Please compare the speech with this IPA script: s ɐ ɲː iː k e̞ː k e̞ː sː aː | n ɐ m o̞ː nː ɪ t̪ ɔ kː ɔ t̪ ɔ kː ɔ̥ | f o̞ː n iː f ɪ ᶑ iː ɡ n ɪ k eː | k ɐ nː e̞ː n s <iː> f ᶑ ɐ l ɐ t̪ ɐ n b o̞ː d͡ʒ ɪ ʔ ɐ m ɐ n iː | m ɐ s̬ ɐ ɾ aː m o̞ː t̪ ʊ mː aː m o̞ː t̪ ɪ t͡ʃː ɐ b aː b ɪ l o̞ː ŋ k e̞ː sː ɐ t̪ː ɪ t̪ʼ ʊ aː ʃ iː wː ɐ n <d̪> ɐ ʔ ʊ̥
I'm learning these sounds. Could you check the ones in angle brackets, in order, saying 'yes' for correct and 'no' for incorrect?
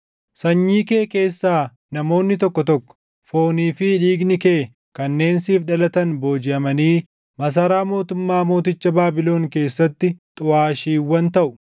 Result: yes, no

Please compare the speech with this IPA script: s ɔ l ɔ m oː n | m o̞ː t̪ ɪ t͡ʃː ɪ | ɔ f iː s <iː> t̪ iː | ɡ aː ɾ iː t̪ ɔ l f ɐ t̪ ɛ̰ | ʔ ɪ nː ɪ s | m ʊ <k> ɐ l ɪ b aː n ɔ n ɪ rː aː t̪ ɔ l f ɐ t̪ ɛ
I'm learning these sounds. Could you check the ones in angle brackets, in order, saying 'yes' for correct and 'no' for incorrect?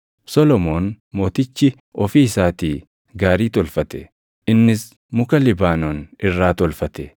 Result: no, yes

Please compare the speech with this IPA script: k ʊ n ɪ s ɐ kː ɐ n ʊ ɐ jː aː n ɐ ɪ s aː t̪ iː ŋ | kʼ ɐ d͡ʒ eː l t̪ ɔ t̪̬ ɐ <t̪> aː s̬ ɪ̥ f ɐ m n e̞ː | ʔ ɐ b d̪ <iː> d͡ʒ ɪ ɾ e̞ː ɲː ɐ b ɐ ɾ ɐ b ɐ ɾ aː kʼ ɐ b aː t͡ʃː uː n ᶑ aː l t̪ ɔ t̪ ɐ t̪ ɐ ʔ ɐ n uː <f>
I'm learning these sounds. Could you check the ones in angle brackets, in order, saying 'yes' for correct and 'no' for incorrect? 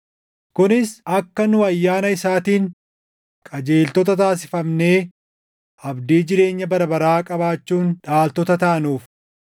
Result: yes, yes, yes

